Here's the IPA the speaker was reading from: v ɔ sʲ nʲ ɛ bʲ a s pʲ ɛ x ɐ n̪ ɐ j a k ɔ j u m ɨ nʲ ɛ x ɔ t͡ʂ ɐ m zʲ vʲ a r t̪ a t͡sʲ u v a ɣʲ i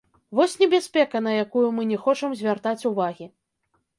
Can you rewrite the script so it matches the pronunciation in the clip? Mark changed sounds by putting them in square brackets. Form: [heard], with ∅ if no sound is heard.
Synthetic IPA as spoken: v ɔ sʲ nʲ ɛ bʲ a s pʲ ɛ [k] ɐ n̪ ɐ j a k [u] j u m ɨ nʲ ɛ x ɔ t͡ʂ ɐ m zʲ vʲ a r t̪ a t͡sʲ u v a ɣʲ i